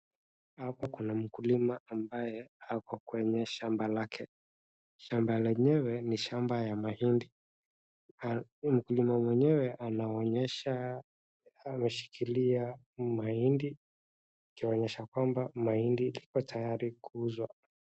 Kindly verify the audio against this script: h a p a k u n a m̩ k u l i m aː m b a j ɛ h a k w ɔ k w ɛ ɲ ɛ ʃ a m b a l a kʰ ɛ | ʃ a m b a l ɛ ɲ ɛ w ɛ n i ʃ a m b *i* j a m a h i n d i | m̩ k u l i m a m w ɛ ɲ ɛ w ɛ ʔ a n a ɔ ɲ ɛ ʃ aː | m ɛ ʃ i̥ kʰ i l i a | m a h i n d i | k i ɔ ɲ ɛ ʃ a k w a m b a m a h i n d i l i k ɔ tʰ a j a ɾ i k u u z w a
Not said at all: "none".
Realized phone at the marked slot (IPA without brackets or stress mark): a